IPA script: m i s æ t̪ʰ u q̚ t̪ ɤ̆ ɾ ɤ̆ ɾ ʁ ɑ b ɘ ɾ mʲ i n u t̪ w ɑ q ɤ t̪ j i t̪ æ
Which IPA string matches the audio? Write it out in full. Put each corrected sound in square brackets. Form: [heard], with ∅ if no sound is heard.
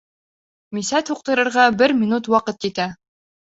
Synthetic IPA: m i s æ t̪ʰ u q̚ t̪ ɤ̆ ɾ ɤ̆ ɾ ʁ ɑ b ɘ ɾ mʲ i n u t̪ w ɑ q ɤ t̪ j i t̪ æ